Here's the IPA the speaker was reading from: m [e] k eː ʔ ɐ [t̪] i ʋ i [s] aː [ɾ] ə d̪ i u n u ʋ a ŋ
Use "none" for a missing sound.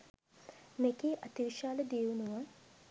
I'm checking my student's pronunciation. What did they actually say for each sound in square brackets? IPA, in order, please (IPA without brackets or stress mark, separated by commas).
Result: e, t̪, ʃ, l